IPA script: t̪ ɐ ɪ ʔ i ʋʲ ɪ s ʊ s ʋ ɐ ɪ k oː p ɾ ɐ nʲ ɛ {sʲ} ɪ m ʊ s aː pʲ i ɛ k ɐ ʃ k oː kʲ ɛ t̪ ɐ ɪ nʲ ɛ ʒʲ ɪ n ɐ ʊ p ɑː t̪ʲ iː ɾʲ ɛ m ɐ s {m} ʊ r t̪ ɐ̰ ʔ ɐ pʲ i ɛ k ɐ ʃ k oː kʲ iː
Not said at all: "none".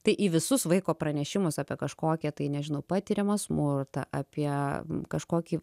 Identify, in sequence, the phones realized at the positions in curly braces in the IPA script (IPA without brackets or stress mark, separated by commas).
ʃʲ, m